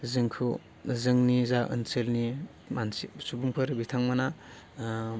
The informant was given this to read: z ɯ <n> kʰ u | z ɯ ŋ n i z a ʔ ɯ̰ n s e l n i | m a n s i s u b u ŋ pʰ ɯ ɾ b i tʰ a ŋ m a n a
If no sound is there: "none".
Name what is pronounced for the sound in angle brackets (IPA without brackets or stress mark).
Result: ŋ